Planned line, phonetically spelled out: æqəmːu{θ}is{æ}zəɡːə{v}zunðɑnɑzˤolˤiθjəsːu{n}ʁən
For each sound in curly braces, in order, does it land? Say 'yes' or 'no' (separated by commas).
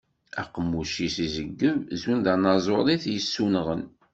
no, no, yes, yes